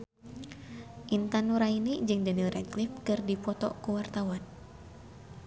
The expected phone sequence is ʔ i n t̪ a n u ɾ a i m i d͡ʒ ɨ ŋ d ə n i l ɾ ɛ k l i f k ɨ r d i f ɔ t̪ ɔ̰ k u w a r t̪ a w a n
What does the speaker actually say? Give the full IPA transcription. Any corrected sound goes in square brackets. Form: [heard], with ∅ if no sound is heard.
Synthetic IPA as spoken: ʔ i n t̪ a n u ɾ a i [n] i d͡ʒ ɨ ŋ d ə n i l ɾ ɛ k l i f k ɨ r d i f ɔ t̪ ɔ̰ k u w a r t̪ a w a n